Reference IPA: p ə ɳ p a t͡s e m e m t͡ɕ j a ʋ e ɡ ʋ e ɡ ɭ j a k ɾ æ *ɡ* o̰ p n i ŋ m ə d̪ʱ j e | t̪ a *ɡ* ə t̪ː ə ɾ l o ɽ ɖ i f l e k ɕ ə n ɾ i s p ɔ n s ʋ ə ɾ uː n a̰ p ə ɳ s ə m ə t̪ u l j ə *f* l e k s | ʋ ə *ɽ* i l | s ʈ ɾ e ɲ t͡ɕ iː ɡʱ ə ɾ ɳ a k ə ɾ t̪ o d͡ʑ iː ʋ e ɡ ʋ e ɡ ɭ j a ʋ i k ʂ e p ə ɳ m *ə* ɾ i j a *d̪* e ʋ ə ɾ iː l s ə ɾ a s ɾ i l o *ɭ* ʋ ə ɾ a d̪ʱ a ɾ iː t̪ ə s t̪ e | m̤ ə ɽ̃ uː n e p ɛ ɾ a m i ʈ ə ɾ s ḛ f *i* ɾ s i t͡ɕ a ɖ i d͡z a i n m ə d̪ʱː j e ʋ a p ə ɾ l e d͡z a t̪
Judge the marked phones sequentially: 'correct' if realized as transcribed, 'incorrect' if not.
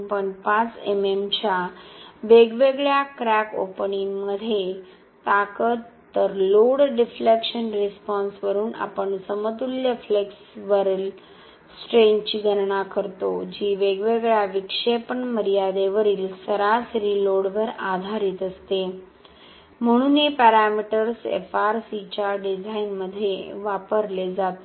incorrect: k, incorrect: k, correct, incorrect: ɾ, correct, correct, incorrect: ɽ, incorrect: a

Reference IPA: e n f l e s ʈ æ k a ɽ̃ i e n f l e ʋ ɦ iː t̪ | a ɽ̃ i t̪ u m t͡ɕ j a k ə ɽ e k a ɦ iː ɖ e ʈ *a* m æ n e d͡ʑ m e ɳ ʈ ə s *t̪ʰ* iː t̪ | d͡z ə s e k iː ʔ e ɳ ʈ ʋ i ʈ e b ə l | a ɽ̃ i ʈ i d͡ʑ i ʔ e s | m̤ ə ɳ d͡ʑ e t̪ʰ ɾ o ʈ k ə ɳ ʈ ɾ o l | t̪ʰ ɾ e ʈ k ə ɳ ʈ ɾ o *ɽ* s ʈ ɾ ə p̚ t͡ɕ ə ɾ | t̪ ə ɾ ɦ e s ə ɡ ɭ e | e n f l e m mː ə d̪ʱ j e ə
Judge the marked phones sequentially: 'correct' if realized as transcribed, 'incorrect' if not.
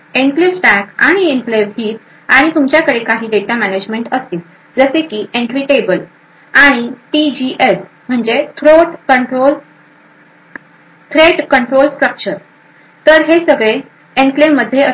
correct, incorrect: t̪, incorrect: l

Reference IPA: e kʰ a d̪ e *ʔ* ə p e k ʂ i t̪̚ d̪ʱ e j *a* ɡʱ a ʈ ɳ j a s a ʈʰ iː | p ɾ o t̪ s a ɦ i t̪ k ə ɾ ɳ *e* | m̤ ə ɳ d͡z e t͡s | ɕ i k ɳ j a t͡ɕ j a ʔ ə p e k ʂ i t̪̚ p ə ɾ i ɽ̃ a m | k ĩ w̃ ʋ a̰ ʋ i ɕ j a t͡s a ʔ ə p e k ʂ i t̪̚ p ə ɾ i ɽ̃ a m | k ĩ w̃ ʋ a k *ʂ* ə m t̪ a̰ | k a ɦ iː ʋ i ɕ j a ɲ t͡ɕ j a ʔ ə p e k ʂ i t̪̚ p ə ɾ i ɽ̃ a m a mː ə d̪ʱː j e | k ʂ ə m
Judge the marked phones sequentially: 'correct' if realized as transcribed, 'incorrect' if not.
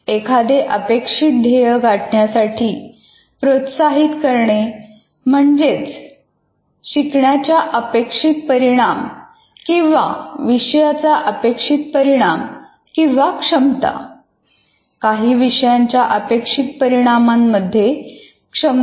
correct, incorrect: ə, correct, correct

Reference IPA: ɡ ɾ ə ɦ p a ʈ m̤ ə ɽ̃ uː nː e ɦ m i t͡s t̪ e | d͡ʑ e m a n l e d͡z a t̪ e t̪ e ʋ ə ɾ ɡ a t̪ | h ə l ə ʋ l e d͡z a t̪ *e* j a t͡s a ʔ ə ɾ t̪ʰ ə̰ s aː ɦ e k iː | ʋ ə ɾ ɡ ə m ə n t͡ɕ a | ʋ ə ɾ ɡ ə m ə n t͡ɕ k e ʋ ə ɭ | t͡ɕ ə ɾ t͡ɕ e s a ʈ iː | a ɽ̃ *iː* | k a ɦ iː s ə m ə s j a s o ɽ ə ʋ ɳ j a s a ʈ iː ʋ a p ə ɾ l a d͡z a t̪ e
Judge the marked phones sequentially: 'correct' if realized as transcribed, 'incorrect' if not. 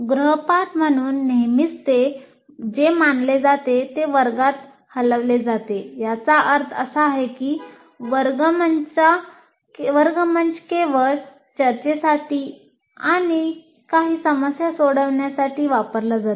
correct, incorrect: i

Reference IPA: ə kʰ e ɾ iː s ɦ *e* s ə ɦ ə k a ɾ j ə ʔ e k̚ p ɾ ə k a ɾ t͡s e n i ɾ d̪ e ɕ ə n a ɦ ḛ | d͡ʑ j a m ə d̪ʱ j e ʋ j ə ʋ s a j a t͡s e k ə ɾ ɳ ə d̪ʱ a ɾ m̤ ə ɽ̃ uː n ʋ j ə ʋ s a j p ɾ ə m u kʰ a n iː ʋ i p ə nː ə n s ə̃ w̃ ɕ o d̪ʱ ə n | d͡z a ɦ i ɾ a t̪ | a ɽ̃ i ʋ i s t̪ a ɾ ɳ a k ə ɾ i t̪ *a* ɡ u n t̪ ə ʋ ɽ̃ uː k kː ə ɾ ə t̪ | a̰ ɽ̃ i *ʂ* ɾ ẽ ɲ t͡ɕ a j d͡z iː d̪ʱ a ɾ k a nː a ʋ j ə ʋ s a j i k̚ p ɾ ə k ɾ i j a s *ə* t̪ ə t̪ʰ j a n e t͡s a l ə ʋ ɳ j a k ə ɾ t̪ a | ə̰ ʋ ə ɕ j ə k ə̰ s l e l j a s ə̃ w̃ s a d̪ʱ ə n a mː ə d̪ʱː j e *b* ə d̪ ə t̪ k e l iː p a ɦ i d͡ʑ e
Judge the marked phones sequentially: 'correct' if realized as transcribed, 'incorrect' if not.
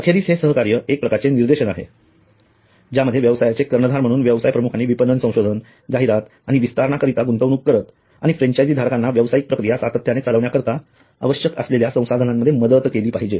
correct, correct, incorrect: f, incorrect: a, incorrect: m

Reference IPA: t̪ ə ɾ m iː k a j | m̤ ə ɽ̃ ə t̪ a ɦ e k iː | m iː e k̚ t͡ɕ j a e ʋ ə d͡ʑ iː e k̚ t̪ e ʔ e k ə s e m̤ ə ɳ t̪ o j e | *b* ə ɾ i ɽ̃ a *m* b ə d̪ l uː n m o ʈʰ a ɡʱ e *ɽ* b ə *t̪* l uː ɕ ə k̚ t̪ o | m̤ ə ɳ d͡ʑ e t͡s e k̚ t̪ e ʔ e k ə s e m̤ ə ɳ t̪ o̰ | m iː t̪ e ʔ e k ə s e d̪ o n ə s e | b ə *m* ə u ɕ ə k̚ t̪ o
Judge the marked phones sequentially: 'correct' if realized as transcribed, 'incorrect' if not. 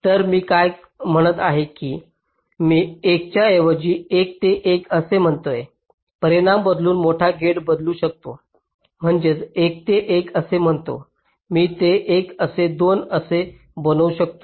incorrect: p, correct, correct, incorrect: d̪, incorrect: n

